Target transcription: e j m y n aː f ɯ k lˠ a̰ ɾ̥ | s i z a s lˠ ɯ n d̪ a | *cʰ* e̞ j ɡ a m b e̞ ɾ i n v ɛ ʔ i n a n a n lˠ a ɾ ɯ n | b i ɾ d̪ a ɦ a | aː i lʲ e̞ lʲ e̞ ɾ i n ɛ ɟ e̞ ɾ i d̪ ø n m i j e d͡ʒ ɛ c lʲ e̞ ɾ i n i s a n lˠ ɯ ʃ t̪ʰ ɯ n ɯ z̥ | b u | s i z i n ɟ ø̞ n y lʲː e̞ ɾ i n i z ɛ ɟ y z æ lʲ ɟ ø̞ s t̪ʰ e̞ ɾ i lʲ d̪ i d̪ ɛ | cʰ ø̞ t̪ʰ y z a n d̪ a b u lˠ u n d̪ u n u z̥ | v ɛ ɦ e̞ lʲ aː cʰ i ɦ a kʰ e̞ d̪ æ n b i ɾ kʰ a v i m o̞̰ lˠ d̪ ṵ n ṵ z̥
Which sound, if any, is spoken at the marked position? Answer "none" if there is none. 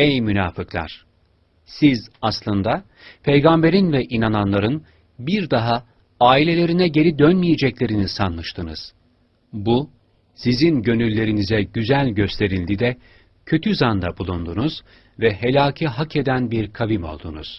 pʰ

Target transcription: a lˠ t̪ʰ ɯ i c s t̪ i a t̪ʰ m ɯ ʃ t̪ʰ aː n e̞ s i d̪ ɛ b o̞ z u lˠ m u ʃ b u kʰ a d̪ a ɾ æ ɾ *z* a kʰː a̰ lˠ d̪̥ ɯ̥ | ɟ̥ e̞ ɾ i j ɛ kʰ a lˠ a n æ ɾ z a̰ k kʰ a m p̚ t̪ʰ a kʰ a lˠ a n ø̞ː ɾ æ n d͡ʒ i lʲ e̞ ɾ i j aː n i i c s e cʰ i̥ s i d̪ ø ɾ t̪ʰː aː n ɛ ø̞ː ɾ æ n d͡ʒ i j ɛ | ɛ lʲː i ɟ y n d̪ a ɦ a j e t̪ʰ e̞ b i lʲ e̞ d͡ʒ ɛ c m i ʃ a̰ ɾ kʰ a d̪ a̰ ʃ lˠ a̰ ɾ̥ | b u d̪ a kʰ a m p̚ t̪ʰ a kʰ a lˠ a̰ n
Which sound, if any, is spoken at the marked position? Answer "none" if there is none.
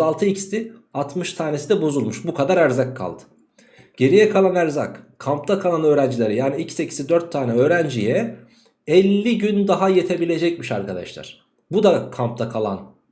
z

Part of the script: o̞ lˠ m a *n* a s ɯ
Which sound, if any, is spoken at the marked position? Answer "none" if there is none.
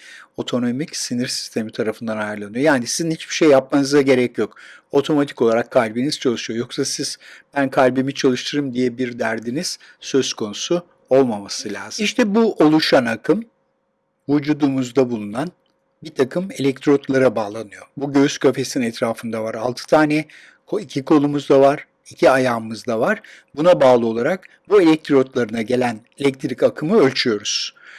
m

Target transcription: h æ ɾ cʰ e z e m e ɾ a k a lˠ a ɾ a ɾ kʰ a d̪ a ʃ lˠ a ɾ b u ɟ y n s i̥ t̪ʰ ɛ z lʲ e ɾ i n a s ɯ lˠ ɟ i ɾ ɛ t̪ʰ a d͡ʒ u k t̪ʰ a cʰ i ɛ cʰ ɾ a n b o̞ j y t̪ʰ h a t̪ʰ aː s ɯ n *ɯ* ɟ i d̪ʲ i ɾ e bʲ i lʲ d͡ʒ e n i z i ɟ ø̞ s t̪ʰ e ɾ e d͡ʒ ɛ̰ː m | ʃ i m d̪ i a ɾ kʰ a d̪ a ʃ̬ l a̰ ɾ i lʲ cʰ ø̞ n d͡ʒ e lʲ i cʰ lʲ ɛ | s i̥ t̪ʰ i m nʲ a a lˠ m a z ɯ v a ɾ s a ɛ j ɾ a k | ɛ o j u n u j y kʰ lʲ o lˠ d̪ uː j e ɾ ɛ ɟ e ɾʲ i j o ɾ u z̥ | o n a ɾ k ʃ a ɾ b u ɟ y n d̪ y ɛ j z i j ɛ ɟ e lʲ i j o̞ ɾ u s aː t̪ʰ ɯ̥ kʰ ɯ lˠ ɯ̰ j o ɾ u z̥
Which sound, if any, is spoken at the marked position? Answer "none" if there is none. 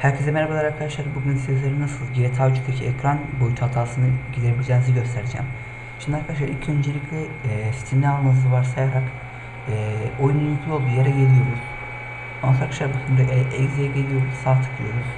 ɯ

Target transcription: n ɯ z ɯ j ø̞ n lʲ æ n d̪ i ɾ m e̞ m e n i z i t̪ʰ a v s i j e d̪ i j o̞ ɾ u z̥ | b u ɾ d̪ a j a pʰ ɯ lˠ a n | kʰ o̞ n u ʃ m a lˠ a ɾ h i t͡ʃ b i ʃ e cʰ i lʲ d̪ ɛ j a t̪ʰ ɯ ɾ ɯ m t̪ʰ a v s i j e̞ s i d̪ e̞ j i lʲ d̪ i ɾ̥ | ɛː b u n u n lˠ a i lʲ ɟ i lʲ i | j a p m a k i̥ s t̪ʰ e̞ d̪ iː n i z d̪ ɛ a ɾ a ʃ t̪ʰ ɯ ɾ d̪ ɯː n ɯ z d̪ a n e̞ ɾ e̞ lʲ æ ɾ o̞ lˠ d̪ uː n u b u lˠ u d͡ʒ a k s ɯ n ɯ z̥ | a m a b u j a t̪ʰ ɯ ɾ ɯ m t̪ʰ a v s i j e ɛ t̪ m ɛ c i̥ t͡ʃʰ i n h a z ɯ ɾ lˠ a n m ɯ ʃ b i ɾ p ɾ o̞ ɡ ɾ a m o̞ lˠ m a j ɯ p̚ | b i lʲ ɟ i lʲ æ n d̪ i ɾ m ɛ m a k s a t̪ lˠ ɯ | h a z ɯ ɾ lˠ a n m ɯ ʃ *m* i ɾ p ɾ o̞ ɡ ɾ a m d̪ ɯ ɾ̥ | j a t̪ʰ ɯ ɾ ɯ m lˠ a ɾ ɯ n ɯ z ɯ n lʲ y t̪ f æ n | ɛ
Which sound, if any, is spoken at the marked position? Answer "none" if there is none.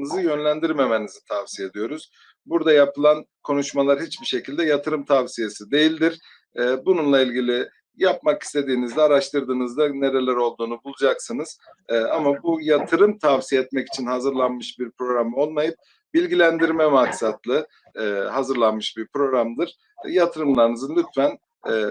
b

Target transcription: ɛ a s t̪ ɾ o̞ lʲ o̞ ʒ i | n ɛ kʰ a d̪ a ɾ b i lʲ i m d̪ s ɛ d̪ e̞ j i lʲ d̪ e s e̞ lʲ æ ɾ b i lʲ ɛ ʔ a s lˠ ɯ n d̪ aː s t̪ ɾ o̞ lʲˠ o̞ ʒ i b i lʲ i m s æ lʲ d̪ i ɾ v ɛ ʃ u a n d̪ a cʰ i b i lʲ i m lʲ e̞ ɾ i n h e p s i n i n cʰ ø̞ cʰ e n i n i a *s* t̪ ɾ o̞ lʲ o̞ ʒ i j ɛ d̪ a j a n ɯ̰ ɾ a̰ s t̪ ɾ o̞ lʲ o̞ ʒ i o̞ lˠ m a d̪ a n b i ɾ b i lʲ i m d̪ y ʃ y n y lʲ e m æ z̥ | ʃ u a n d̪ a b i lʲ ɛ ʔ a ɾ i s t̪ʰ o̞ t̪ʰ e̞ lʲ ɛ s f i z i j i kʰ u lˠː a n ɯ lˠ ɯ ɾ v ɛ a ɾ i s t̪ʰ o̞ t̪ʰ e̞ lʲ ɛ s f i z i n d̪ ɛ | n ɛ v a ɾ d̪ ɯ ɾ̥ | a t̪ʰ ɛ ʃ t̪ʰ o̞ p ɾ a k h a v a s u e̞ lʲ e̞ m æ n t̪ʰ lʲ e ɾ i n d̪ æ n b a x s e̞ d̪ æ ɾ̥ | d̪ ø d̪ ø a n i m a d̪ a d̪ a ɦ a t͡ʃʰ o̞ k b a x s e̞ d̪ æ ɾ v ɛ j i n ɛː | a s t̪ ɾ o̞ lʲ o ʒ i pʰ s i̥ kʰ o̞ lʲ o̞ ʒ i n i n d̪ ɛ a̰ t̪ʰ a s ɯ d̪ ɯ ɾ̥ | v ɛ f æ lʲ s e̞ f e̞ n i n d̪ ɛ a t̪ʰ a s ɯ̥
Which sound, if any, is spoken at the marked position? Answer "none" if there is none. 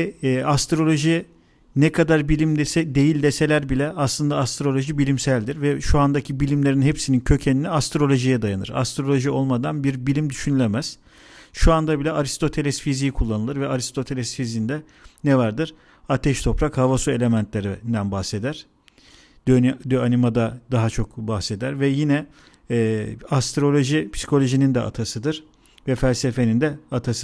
s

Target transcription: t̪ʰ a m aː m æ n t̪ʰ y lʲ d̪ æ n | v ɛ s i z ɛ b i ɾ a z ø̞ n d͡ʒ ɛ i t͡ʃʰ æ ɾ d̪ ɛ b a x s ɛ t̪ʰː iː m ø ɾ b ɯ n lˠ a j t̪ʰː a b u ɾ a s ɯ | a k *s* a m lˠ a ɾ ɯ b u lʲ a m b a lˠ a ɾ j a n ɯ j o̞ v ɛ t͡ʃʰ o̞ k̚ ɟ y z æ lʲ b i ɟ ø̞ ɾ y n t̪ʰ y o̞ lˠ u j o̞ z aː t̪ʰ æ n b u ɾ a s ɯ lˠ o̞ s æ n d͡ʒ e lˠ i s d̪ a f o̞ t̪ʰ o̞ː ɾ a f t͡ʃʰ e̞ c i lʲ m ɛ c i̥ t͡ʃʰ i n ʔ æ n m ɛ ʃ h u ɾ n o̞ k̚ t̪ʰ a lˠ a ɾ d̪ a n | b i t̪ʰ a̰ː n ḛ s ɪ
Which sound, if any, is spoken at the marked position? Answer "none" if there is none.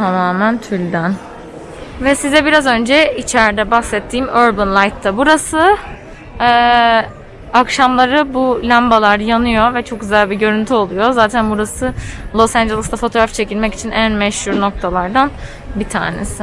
ʃ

